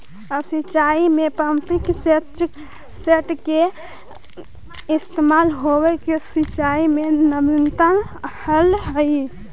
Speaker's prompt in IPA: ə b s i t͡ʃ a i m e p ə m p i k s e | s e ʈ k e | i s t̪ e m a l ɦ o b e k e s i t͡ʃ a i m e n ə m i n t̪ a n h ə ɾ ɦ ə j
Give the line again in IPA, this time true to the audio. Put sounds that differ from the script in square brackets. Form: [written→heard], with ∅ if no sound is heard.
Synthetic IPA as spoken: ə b s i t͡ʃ a i m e p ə m p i k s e | s e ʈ k e | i s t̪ e m a l ɦ o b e k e s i t͡ʃ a i m e n ə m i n t̪ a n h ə [ɾ→l] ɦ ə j